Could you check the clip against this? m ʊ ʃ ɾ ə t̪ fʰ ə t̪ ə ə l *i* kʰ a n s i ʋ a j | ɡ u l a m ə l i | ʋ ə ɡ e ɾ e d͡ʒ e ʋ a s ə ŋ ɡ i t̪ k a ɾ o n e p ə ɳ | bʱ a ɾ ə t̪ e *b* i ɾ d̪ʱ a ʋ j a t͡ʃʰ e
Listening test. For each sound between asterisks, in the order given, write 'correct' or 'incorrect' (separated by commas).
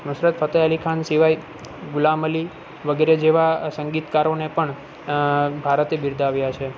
correct, correct